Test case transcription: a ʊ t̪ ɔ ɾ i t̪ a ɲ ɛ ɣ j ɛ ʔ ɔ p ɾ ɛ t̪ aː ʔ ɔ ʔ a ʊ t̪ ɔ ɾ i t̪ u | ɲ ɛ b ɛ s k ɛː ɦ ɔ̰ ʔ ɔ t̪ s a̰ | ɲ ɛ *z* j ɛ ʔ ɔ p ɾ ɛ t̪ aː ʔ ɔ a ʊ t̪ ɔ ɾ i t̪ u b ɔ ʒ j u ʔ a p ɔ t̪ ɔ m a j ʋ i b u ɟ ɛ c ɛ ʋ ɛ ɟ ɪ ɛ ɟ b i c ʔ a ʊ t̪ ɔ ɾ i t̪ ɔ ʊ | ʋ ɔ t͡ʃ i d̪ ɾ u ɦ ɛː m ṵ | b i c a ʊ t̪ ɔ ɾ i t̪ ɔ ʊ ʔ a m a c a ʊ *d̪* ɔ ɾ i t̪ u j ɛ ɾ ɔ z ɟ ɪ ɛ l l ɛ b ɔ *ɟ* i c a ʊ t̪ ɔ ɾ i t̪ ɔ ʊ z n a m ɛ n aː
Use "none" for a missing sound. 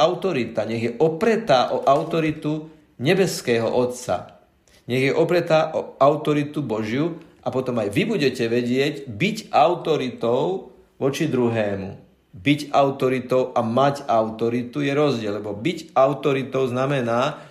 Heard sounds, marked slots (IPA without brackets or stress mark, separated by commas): ɣ, t̪, b